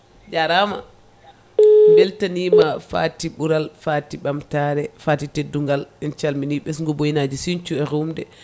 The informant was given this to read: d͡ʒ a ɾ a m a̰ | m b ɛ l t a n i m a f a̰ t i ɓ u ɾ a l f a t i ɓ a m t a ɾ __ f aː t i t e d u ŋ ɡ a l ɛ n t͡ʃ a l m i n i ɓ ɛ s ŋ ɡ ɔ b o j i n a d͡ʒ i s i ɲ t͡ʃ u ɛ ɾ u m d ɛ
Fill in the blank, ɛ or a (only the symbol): ɛ